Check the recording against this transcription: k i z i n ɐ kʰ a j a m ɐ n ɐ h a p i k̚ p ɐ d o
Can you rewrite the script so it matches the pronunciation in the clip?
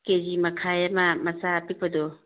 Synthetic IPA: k e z i m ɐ kʰ a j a m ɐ m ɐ s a p i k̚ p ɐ d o